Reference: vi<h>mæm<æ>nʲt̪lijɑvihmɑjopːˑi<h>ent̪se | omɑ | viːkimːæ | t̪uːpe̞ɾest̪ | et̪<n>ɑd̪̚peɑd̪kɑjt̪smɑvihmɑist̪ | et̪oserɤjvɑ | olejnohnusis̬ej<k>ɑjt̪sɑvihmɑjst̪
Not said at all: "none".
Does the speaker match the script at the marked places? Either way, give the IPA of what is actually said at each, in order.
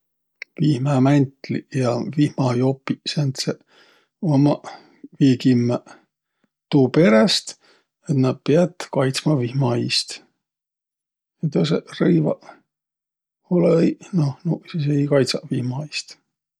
h, æ, s, n, k

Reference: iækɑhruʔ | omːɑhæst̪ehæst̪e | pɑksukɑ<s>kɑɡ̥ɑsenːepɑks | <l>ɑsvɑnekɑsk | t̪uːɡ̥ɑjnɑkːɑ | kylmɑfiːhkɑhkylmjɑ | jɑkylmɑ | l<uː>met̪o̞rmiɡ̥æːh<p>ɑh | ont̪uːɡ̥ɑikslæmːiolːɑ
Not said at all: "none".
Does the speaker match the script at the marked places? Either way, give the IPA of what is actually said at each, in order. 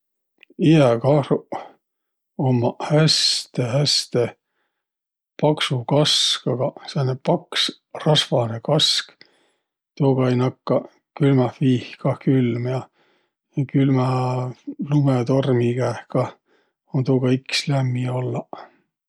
s, r, u, k

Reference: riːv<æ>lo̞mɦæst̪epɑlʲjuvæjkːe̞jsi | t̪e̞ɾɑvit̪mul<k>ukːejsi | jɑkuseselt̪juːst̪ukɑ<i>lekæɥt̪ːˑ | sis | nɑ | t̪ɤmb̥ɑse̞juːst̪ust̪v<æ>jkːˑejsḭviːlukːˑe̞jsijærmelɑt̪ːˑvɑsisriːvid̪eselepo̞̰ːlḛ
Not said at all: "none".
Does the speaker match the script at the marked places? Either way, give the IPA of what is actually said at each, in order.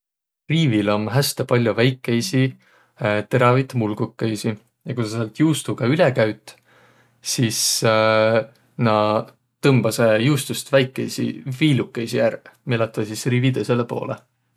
i, ɡ, y, æ

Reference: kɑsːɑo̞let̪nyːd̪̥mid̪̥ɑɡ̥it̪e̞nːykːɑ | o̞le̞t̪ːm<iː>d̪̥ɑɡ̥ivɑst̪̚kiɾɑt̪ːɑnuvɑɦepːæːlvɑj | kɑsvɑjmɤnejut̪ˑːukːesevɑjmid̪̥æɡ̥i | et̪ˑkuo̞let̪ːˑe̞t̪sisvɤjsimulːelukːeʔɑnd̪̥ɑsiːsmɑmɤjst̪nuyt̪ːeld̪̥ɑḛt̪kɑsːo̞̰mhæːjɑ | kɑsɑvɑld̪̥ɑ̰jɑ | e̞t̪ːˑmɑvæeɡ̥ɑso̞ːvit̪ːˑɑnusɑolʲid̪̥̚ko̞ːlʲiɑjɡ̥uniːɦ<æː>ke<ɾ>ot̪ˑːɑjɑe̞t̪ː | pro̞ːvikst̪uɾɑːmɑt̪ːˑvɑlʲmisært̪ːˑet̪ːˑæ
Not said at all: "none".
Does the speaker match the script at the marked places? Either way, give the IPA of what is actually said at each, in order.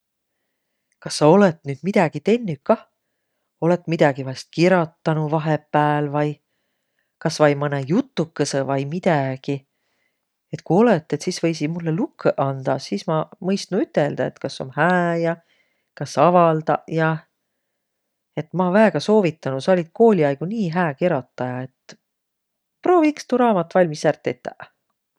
i, æː, ɾ

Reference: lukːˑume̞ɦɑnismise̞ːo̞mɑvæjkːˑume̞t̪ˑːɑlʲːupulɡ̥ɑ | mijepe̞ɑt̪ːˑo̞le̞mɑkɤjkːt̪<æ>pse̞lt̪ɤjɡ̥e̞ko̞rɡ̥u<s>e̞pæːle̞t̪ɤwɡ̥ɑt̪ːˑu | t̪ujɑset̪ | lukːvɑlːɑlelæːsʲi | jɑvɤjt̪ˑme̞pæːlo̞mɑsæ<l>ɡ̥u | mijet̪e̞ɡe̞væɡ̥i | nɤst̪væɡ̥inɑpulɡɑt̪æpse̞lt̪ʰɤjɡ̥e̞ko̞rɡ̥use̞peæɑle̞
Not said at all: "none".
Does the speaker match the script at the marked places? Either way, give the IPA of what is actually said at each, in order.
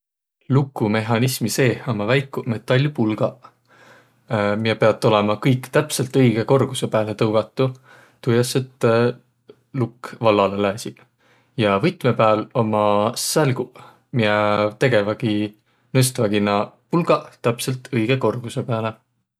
æ, s, l

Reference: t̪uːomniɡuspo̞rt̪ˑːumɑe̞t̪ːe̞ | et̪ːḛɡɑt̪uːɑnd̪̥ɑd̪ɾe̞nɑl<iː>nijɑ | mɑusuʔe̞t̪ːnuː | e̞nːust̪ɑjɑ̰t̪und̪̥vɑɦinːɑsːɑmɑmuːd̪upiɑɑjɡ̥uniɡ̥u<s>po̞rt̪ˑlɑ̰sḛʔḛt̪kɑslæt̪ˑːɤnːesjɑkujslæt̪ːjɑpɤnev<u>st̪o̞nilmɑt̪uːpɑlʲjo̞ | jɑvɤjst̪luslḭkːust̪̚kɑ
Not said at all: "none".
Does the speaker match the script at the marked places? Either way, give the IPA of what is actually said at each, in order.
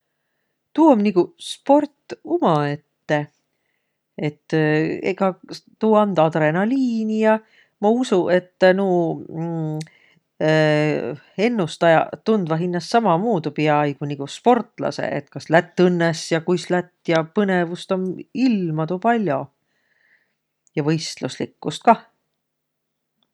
iː, s, u

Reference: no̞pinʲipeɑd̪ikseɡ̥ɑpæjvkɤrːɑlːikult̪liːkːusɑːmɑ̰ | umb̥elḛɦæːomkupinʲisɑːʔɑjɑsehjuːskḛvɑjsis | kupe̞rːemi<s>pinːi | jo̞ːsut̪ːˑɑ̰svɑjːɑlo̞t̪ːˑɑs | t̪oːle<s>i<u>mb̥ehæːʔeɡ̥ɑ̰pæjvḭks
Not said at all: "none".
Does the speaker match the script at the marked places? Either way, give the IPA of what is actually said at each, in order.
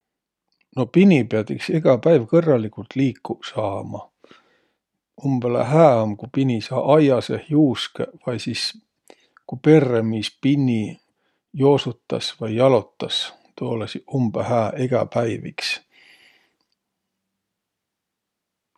s, s, u

